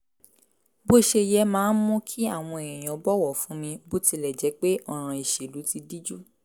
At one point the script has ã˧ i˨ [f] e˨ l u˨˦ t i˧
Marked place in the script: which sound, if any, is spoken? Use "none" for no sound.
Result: ʃ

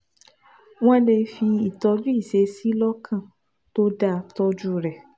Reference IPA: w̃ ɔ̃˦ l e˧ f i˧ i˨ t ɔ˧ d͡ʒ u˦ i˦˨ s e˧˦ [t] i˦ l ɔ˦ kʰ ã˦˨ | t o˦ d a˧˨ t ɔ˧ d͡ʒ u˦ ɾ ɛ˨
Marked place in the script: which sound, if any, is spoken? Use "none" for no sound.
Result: s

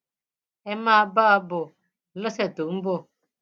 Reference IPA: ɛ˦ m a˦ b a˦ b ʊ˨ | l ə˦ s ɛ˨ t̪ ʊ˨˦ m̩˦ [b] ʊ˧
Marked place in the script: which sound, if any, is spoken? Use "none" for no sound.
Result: b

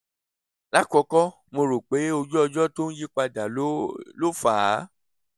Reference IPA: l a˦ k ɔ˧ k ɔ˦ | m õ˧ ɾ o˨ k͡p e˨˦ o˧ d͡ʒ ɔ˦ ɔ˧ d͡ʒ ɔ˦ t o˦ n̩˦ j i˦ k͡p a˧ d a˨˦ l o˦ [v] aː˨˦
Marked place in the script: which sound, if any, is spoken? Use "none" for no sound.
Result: f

